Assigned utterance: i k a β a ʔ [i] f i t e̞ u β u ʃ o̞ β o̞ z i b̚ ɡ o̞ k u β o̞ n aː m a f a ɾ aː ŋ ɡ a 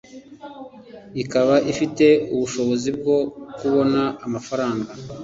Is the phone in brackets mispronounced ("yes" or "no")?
no